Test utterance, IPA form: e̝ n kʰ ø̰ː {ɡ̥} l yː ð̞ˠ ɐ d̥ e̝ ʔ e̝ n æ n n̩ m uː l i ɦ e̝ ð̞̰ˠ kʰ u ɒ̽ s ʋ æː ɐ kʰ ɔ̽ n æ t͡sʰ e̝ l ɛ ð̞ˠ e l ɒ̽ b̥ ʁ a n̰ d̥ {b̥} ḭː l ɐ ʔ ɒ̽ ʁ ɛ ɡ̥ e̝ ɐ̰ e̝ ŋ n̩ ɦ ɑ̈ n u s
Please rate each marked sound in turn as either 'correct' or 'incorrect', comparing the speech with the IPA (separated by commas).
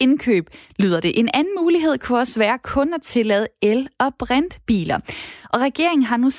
incorrect, correct